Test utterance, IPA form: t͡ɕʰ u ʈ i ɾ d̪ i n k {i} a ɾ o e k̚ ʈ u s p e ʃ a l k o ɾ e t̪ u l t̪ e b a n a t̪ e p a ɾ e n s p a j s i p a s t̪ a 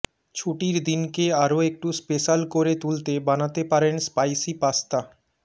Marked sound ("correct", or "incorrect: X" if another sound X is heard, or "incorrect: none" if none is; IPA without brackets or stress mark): incorrect: e